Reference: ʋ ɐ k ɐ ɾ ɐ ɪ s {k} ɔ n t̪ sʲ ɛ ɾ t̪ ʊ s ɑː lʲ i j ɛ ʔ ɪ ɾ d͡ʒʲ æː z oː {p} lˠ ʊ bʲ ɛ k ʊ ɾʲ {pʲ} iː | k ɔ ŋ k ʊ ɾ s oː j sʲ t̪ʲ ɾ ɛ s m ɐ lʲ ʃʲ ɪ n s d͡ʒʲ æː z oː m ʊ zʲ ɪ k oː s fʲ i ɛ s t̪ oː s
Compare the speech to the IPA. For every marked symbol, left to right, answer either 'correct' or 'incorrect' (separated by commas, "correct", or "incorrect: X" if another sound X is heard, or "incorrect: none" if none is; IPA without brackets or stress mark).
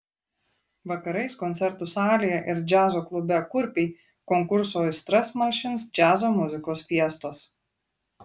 correct, incorrect: k, correct